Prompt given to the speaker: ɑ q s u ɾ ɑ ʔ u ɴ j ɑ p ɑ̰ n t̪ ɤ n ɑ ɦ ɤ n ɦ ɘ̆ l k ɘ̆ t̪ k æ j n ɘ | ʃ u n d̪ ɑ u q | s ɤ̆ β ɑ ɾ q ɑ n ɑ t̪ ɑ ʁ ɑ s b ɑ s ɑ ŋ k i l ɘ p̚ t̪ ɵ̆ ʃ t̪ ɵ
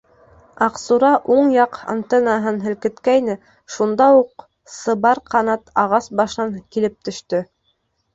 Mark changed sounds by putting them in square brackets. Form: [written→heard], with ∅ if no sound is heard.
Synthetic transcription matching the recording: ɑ q s u ɾ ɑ ʔ u ɴ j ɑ [p→q] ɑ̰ n t̪ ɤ n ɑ ɦ ɤ n ɦ ɘ̆ l k ɘ̆ t̪ k æ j n ɘ | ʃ u n d̪ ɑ u q | s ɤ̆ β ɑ ɾ q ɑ n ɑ t̪ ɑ ʁ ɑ s b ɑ [s→ʃ] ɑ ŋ k i l ɘ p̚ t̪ ɵ̆ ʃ t̪ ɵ

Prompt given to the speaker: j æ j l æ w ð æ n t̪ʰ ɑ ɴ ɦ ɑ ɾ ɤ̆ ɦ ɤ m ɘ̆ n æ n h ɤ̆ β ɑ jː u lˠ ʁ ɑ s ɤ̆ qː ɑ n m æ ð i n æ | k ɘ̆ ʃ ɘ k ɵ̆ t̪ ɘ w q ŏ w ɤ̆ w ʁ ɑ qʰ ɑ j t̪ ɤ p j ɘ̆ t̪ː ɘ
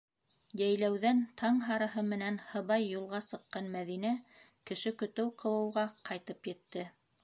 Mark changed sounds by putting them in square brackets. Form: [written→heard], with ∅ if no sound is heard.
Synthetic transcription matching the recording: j æ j l æ w ð æ n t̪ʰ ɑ ɴ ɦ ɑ ɾ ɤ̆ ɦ ɤ m ɘ̆ n æ n h ɤ̆ β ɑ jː u lˠ ʁ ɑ s ɤ̆ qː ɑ n m æ ð i n æ | k ɘ̆ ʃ ɘ k ɵ̆ t̪ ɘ w q [ŏ→ɤ̆] w ɤ̆ w ʁ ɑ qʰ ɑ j t̪ ɤ p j ɘ̆ t̪ː ɘ

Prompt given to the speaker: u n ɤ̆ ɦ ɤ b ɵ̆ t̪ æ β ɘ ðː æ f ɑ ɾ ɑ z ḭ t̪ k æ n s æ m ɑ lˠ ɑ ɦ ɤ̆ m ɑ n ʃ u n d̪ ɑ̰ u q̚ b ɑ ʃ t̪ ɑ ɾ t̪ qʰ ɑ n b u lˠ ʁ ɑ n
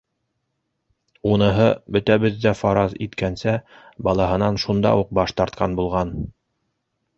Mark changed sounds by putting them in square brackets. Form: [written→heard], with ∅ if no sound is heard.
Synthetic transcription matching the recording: u n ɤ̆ ɦ ɤ b ɵ̆ t̪ æ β ɘ ðː æ f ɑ ɾ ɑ z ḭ t̪ k æ n s æ [m→b] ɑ lˠ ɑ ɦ ɤ̆ [m→n] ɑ n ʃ u n d̪ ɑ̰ u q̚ b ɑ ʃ t̪ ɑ ɾ t̪ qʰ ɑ n b u lˠ ʁ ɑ n

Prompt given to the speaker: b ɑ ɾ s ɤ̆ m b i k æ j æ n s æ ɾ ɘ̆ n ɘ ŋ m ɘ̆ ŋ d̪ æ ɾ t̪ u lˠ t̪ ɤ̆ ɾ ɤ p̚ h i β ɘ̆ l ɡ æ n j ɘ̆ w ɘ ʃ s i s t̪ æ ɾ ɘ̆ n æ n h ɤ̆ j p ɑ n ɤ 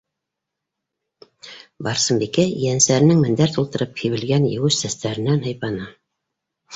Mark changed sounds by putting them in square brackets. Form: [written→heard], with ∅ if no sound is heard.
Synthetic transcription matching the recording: b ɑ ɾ s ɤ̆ m b i k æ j æ n s æ ɾ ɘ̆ n ɘ ŋ m ɘ̆ [ŋ→n] d̪ æ ɾ t̪ u lˠ t̪ ɤ̆ ɾ ɤ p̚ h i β ɘ̆ l ɡ æ n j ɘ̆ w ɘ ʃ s [i→æ] s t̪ æ ɾ ɘ̆ n æ n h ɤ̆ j p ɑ n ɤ

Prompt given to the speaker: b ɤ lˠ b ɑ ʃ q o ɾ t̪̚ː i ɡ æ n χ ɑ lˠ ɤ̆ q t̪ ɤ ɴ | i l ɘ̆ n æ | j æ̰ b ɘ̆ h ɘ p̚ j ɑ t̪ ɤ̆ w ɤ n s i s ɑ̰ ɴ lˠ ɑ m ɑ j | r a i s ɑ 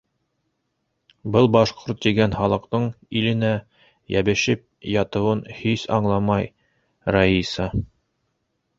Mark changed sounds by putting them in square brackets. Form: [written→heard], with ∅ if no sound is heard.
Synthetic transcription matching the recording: b ɤ lˠ b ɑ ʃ q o ɾ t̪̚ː i ɡ æ n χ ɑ lˠ ɤ̆ q t̪ ɤ ɴ | i l ɘ̆ n æ | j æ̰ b ɘ̆ [h→ʃ] ɘ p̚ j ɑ t̪ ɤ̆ w ɤ n [s→h] i s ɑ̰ ɴ lˠ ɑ m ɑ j | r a i s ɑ

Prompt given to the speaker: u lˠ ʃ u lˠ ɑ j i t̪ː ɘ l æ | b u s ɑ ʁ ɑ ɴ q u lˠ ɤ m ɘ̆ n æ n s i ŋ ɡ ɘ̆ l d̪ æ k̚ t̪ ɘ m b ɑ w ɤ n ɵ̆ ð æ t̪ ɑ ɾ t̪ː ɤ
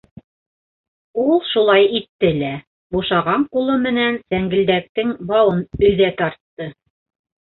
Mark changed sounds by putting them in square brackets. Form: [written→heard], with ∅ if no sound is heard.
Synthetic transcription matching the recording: u lˠ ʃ u lˠ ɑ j i t̪ː ɘ l æ | b u [s→ʃ] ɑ ʁ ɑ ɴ q u lˠ ɤ m ɘ̆ n æ n s [i→æ] ŋ ɡ ɘ̆ l d̪ æ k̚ t̪ ɘ [m→ŋ] b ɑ w ɤ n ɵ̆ ð æ t̪ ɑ ɾ t̪ː ɤ

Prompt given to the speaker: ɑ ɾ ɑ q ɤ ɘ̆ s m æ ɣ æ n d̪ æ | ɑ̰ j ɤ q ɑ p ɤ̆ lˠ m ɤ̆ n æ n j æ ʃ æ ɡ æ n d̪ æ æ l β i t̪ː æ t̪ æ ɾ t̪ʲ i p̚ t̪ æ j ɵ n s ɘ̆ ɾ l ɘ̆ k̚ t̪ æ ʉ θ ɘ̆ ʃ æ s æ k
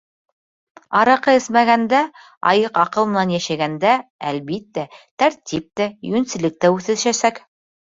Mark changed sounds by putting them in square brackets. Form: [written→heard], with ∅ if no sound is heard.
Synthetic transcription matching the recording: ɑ ɾ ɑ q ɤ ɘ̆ s m æ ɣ æ n d̪ æ | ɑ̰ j ɤ q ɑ [p→q] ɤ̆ lˠ m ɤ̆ n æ n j æ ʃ æ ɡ æ n d̪ æ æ l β i t̪ː æ t̪ æ ɾ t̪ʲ i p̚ t̪ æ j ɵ n s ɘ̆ [ɾ→∅] l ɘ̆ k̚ t̪ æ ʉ θ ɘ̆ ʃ æ s æ k

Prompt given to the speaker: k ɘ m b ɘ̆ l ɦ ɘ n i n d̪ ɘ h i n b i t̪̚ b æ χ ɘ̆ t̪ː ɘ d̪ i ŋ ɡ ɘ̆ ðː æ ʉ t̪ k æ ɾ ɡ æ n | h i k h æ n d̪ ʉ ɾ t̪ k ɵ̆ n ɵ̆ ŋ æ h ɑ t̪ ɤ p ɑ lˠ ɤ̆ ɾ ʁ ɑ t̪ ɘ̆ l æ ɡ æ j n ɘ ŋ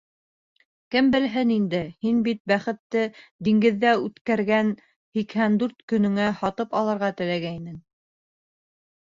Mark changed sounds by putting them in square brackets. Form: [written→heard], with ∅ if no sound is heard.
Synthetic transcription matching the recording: k ɘ m b ɘ̆ l ɦ ɘ n i n d̪ ɘ h i n b i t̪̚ b æ χ ɘ̆ t̪ː ɘ d̪ i ŋ ɡ ɘ̆ ðː æ ʉ t̪ k æ ɾ ɡ æ n | h i k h æ n d̪ ʉ ɾ t̪ k ɵ̆ n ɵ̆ ŋ æ h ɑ t̪ ɤ p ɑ lˠ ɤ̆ ɾ ʁ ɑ t̪ ɘ̆ l æ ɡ æ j n ɘ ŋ

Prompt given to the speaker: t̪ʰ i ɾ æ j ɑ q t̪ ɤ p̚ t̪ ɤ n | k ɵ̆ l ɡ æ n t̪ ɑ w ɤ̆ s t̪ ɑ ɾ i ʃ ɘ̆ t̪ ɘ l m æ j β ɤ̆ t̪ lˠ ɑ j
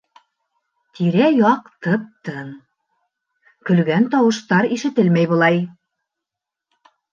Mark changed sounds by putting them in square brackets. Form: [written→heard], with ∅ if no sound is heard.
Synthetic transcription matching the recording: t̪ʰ i ɾ æ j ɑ q t̪ ɤ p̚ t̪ ɤ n | k ɵ̆ l ɡ æ n t̪ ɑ w ɤ̆ [s→ʃ] t̪ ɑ ɾ i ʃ ɘ̆ t̪ ɘ l m æ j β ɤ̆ [t̪→∅] lˠ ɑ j

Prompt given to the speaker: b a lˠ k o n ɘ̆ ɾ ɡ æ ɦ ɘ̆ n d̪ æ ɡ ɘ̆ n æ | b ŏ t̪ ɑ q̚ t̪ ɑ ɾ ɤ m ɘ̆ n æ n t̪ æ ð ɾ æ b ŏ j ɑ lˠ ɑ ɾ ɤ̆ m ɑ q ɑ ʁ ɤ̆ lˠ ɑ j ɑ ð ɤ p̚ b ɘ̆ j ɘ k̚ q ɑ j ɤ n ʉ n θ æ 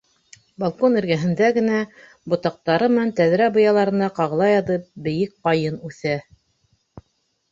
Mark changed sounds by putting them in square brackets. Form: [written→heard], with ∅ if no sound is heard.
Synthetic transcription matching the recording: b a lˠ k o n ɘ̆ ɾ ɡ æ ɦ ɘ̆ n d̪ æ ɡ ɘ̆ n æ | b ŏ t̪ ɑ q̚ t̪ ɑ ɾ ɤ m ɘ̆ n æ n t̪ æ ð ɾ æ b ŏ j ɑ lˠ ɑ ɾ ɤ̆ [m→n] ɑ q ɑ ʁ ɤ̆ lˠ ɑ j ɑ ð ɤ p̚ b ɘ̆ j ɘ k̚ q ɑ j ɤ n ʉ [n→∅] θ æ

